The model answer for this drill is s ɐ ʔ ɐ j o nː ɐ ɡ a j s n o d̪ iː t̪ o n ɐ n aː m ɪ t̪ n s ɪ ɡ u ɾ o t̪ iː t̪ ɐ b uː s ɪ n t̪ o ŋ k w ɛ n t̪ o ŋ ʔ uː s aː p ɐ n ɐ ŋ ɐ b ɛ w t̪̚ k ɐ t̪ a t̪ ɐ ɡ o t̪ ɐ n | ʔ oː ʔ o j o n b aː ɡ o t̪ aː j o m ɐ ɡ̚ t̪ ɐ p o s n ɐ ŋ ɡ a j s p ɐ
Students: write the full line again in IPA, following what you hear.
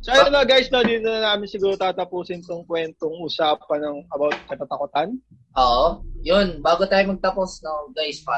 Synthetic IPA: s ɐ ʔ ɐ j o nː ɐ ɡ a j s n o d̪ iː t̪ o n ɐ n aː m ɪ n s ɪ ɡ uː ɾ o t̪ aː t̪ ɐ p uː s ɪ n t̪ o ŋ k w ɛ n t̪ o ŋ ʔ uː s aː p ɐ n ɐ ŋ ɐ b a w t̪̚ k ɐ t̪ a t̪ ɐ k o t̪ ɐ n | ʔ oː ʔ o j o n b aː ɡ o t̪ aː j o m ɐ ɡ̚ t̪ ɐ p o s n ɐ ŋ ɡ a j s p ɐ